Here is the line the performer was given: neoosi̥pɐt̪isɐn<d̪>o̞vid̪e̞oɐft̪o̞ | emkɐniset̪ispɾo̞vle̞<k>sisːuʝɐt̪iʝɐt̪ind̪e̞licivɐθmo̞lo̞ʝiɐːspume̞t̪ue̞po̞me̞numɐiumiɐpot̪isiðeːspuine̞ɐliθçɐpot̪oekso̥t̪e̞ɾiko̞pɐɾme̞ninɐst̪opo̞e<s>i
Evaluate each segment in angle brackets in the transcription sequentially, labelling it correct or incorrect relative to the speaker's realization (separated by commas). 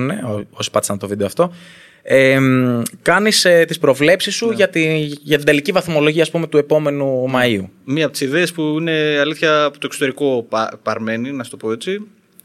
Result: incorrect, incorrect, incorrect